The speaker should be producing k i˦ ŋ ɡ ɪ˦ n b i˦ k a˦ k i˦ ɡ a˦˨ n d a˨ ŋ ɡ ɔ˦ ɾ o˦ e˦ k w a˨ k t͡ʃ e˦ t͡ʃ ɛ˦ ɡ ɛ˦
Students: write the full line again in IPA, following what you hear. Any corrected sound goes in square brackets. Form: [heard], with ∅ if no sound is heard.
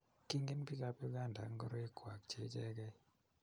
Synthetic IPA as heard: k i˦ ŋ ɡ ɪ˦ n [p] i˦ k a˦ [p] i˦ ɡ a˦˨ n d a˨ ŋ ɡ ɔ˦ ɾ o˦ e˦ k w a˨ k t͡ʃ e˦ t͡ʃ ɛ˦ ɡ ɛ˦